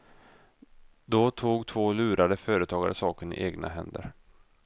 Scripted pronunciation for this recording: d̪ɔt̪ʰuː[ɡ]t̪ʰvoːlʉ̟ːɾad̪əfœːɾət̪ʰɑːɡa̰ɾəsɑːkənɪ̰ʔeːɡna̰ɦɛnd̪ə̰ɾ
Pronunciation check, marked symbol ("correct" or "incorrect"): correct